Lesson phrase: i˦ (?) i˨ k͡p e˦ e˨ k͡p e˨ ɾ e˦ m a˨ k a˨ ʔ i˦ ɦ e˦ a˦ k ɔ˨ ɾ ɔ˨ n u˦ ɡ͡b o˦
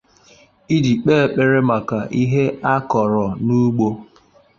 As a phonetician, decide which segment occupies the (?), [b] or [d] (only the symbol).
d